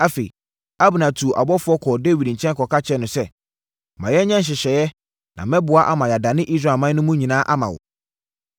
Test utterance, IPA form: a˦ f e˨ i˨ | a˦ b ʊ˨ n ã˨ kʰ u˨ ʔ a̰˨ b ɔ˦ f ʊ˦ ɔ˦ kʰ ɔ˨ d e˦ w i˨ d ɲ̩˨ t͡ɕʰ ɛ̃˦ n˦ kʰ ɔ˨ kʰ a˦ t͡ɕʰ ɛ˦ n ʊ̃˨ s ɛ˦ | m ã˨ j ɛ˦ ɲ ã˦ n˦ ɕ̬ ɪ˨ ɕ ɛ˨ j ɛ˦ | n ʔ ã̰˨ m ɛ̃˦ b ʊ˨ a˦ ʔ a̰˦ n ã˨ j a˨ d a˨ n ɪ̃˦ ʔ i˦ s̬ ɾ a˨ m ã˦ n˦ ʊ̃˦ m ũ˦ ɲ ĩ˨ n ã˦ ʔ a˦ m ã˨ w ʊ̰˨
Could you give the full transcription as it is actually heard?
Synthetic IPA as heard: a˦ f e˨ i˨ | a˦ b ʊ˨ n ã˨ tʰ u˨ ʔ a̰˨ b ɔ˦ f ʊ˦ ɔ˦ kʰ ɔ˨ d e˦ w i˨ d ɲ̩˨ t͡ɕʰ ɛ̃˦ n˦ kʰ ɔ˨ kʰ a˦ t͡ɕʰ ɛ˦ n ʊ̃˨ s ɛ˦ | m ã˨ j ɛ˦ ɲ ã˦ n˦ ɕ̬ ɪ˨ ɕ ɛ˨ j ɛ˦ | n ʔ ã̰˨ m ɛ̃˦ b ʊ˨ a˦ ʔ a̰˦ m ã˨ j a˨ d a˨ n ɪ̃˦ ʔ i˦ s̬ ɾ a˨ m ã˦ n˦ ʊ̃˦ m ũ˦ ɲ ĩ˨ n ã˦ ʔ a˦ m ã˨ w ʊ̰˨